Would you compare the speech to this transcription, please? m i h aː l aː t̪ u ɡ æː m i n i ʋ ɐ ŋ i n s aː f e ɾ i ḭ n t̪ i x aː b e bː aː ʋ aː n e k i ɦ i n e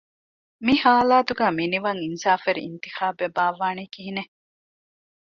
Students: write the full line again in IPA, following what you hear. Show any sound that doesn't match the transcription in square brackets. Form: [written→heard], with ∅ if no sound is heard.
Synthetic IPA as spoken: m i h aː l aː t̪ u ɡ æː m i n i ʋ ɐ ŋ i n s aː f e ɾ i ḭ n t̪ i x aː b e [bː→b] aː ʋ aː n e k i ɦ i n e

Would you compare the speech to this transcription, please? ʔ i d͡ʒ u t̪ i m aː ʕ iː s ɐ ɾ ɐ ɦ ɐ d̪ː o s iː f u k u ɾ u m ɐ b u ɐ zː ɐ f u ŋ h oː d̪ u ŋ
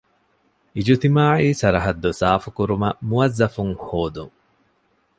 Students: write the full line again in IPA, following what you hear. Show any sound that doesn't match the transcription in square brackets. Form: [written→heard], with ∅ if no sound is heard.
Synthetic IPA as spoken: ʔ i d͡ʒ u t̪ i m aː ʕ iː s ɐ ɾ ɐ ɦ ɐ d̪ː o s [iː→aː] f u k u ɾ u m ɐ [b→m] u ɐ zː ɐ f u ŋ h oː d̪ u ŋ

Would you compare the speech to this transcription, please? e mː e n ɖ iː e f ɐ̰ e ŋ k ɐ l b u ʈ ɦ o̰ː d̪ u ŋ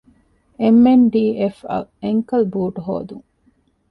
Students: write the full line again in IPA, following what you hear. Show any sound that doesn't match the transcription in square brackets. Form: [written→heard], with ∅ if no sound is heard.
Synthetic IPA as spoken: e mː e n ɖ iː e f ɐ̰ e ŋ k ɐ l b [u→uː] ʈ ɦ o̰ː d̪ u ŋ

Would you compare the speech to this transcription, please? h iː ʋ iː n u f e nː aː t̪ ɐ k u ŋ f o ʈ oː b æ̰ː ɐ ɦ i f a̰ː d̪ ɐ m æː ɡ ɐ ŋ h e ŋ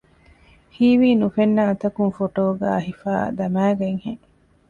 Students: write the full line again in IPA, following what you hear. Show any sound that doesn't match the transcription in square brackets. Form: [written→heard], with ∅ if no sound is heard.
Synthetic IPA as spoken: h iː ʋ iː n u f e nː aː t̪ ɐ k u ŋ f o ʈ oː [b→ɡ] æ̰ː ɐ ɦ i f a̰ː d̪ ɐ m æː ɡ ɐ ŋ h e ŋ

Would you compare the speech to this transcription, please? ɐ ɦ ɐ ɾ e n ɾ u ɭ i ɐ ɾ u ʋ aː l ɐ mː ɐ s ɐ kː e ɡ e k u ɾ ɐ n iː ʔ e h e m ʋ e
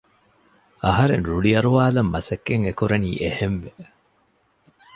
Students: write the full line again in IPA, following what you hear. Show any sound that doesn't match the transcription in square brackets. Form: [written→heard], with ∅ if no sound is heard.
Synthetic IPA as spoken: ɐ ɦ ɐ ɾ e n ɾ u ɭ i ɐ ɾ u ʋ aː l ɐ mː ɐ s ɐ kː e [ɡ→ŋ] e k u ɾ ɐ n iː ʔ e h e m ʋ e

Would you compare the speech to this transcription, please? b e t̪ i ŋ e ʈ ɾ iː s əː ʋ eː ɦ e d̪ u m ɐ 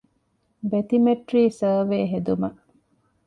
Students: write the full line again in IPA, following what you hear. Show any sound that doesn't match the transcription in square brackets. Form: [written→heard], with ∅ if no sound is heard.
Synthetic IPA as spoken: b e t̪ i [ŋ→m] e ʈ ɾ iː s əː ʋ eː ɦ e d̪ u m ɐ

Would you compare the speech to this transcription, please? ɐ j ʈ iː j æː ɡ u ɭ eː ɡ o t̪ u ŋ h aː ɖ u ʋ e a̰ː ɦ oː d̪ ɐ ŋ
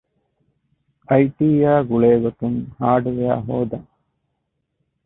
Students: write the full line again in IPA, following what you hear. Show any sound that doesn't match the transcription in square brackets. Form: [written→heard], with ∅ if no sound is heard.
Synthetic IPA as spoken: ɐ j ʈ iː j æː ɡ u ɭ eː ɡ o t̪ u ŋ h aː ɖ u ʋ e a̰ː ɦ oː d̪ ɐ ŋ

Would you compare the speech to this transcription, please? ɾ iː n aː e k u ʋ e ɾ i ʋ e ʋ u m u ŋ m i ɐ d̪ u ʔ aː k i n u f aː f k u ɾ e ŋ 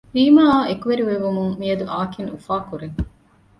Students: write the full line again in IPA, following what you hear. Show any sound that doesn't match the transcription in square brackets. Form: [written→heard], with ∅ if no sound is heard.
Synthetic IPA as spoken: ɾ iː [n→m] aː e k u ʋ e ɾ i ʋ e ʋ u m u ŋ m i ɐ d̪ u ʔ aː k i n u f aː [f→∅] k u ɾ e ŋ

